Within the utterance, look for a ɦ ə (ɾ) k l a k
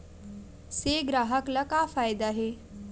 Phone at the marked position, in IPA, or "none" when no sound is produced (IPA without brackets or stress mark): none